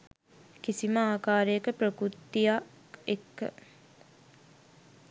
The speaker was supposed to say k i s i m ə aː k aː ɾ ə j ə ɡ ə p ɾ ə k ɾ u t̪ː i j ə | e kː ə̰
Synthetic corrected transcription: k i s i m ə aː k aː ɾ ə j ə k ə p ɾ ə k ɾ u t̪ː i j a | e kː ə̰